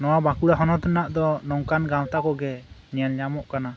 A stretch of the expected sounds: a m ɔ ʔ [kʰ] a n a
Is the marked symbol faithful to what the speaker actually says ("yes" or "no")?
no